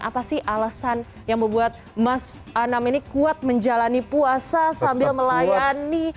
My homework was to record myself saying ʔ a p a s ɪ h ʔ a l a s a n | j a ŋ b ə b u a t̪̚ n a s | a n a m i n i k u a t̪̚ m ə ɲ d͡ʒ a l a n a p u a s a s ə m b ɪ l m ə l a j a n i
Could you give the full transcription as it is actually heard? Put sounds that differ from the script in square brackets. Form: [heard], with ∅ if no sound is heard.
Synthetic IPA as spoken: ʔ a p a s ɪ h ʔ a l a s a n | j a ŋ b ə b u a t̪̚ [m] a s | a n a m i n i k u a t̪̚ m ə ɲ d͡ʒ a l a n [i] p u a s a s [a] m b ɪ l m ə l a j a n i